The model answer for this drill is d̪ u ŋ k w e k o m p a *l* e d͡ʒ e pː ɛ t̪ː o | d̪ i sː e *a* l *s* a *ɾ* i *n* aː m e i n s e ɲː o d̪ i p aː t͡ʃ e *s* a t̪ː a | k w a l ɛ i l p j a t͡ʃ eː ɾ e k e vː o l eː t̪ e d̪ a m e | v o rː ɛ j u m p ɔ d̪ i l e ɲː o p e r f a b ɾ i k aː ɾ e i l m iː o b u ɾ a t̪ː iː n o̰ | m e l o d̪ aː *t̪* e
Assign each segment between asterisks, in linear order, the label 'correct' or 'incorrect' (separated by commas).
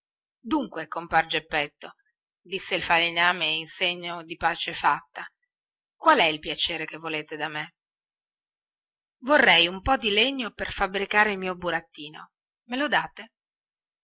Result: incorrect, incorrect, incorrect, incorrect, correct, incorrect, correct